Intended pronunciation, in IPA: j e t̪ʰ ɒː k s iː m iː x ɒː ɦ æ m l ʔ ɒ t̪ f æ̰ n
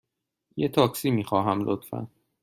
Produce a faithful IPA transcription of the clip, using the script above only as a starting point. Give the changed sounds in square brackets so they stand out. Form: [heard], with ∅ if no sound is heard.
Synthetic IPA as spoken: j e t̪ʰ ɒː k s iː m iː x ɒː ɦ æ m l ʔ [o] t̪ f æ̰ n